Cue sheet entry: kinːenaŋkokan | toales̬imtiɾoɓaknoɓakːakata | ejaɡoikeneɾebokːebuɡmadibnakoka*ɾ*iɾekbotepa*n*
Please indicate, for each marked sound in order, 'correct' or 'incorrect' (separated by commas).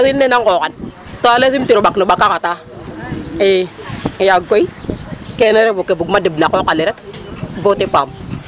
incorrect, incorrect